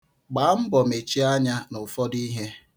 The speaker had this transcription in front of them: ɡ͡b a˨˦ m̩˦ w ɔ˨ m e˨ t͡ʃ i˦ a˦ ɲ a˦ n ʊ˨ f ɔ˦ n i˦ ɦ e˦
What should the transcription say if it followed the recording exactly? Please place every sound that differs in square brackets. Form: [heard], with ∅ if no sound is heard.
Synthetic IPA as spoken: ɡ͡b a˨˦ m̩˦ [b] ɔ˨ m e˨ t͡ʃ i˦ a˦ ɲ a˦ n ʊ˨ f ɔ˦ [d] i˦ ɦ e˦